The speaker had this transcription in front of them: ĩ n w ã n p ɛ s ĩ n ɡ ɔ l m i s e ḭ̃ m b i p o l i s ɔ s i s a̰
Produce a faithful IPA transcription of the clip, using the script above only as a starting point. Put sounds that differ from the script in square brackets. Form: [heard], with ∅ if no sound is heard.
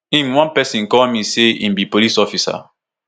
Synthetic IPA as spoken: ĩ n w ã n p ɛ s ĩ n [k] ɔ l m i s e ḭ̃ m b i p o l i s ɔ [f] i s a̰